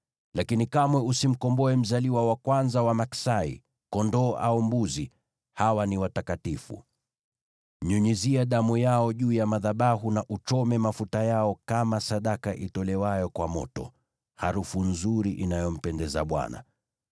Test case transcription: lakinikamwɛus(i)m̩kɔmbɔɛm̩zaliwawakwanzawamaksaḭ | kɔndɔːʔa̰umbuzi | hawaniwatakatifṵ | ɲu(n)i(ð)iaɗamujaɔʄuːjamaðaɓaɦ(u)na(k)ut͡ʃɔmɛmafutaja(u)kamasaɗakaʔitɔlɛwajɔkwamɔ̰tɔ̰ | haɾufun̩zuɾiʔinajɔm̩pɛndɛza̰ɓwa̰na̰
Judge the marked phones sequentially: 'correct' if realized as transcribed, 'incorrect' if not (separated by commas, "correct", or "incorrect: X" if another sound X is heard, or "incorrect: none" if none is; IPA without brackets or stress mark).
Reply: correct, incorrect: ɲ, incorrect: z, correct, incorrect: ʔ, incorrect: ɔ